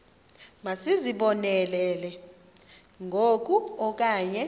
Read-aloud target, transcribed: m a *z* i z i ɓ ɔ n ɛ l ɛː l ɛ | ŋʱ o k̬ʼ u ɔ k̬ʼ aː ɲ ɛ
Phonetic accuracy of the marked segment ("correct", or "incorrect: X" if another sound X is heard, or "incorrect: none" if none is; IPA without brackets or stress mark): incorrect: s